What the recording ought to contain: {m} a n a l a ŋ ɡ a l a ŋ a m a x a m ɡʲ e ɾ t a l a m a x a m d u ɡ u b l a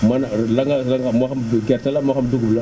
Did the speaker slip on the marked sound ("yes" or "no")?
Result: no